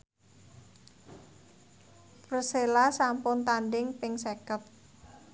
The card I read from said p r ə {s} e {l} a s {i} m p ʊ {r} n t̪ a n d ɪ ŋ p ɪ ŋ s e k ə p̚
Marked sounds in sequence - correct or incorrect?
correct, correct, incorrect, incorrect

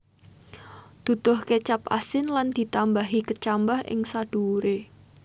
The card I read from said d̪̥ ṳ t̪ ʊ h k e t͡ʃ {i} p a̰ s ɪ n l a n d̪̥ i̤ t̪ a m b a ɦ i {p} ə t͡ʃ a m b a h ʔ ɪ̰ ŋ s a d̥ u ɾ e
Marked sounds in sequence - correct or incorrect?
incorrect, incorrect

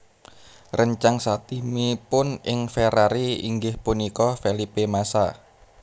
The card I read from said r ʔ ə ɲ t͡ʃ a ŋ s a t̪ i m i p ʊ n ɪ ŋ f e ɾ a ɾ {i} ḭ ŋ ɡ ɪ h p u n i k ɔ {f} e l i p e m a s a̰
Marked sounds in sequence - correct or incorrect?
correct, correct

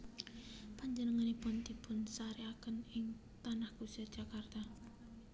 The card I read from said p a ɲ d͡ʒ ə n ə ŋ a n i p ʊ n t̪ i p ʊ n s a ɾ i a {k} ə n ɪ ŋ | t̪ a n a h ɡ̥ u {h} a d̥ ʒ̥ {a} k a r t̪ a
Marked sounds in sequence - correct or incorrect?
correct, incorrect, correct

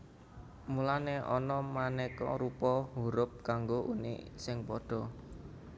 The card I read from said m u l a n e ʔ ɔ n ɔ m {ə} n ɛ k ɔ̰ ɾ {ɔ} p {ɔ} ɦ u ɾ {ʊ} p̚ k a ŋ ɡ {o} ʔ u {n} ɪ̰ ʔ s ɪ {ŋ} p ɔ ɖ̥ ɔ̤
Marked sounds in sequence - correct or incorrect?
incorrect, incorrect, correct, correct, correct, correct, correct

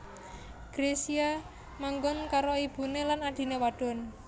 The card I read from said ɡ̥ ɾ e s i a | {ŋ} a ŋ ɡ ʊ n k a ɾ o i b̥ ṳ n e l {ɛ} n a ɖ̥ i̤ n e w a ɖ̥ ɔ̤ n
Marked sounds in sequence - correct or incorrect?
incorrect, incorrect

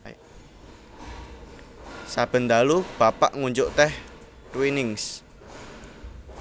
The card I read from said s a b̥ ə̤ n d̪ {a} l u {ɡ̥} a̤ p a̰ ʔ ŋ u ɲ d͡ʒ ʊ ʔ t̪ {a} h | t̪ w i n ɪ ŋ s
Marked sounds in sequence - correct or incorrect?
correct, incorrect, incorrect

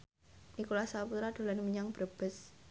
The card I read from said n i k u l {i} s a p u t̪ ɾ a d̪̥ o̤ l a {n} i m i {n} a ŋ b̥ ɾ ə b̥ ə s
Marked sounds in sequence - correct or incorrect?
incorrect, correct, incorrect

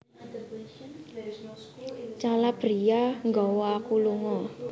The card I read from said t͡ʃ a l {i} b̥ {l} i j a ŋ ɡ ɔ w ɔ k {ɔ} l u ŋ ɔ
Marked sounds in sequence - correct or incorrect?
incorrect, incorrect, incorrect

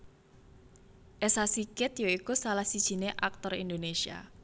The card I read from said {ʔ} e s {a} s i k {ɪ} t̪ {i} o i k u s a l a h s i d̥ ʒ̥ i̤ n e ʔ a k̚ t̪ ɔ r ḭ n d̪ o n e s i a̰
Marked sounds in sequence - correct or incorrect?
correct, correct, correct, incorrect

